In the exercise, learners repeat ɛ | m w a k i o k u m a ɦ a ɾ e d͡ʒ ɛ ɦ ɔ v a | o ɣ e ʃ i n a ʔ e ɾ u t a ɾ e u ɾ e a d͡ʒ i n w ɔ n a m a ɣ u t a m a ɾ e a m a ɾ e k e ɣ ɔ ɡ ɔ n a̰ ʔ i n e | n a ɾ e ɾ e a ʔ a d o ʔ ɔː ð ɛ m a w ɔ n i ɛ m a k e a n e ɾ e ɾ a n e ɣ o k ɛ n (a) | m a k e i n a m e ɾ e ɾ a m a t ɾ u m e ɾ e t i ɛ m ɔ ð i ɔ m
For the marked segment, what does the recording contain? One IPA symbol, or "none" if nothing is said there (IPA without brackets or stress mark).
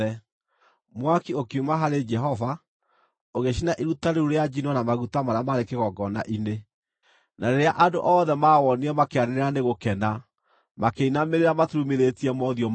a